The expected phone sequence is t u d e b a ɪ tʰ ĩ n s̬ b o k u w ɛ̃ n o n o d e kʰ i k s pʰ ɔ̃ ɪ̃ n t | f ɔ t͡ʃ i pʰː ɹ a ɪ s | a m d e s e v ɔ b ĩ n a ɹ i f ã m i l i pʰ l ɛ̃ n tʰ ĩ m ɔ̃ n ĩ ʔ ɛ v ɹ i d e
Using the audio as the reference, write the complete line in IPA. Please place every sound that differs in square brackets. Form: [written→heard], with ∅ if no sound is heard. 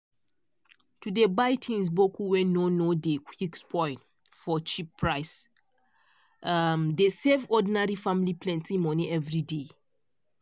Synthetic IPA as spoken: t u d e b a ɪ tʰ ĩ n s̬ b o k u w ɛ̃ n o n o d e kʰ i k s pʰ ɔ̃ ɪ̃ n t | f ɔ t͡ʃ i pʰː ɹ a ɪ s | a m d e s e v ɔ [b→d] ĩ n a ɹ i f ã m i l i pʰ l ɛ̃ n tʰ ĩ m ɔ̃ n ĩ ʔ ɛ v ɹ i d e